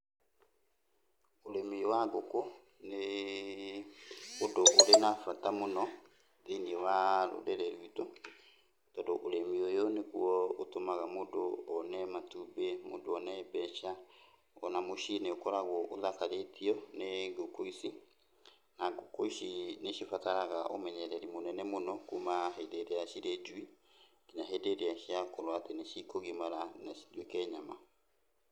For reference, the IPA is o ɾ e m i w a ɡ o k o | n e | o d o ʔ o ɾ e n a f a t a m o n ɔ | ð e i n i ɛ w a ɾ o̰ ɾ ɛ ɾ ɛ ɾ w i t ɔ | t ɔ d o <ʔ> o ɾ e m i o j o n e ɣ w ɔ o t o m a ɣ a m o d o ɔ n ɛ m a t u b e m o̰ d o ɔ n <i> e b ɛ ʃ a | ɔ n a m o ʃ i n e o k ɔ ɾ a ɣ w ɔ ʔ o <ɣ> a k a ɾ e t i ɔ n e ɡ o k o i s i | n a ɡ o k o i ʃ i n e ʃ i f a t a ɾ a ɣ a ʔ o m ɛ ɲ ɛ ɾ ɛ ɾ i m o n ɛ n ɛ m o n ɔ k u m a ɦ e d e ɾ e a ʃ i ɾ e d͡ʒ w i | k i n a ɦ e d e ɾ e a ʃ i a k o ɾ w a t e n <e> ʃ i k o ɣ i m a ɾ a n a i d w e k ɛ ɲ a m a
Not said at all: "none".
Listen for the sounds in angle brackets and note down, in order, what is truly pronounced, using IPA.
ʔ, ɛ, ð, e

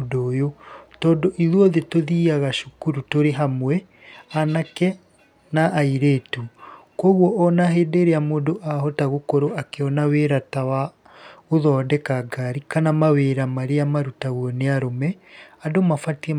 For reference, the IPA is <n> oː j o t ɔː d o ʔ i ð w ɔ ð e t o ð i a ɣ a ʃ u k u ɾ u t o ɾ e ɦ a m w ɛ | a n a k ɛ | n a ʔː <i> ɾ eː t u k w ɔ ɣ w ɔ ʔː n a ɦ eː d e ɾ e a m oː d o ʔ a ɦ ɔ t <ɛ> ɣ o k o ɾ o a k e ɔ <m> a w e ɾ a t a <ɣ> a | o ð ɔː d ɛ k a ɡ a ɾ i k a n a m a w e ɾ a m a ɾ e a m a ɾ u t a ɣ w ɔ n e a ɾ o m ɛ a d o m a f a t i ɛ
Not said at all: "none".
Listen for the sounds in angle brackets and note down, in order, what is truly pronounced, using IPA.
d, i, a, n, w

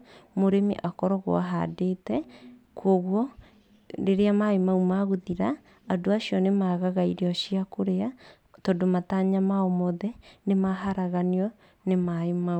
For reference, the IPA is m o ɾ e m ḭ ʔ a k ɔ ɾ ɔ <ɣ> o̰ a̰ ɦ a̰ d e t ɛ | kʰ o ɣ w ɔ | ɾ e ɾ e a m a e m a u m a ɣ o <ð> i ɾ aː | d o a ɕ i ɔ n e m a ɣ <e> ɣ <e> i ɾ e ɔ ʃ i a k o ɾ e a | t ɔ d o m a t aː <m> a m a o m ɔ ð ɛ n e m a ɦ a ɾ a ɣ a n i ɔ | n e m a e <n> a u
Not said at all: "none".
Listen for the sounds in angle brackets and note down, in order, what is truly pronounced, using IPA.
ɣ, ð, a, a, ɲ, m

